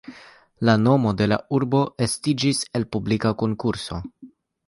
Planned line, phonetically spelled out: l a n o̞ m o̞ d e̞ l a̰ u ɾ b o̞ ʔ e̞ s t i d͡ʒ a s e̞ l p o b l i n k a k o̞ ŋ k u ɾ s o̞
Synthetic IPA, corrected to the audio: l a n o̞ m o̞ d e̞ l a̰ u ɾ b o̞ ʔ e̞ s t i d͡ʒ i s e̞ l p u b l i k a k o̞ ŋ k u ɾ s o̞